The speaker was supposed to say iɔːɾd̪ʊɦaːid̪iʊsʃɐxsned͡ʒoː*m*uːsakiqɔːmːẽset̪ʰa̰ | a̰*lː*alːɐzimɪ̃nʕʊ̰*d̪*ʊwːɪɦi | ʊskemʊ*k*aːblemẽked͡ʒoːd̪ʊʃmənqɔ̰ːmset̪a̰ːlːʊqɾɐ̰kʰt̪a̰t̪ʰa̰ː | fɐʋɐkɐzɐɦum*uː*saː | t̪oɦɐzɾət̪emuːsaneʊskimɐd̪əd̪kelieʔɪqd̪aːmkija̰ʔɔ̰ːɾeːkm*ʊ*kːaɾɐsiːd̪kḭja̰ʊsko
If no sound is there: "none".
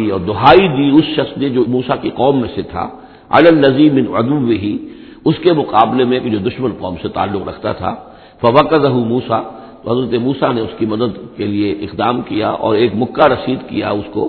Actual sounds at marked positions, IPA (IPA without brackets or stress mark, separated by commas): m, l, d̪, q, uː, ʊ